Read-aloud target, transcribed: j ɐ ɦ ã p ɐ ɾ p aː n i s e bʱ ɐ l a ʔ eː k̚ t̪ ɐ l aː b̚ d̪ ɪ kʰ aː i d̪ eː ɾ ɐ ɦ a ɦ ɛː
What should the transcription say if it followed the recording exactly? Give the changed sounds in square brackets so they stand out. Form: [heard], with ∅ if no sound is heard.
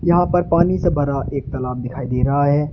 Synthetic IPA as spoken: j ɐ ɦ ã p ɐ ɾ p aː n i s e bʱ ɐ [ɾ] a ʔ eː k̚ t̪ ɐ l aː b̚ d̪ ɪ kʰ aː i d̪ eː ɾ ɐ ɦ a ɦ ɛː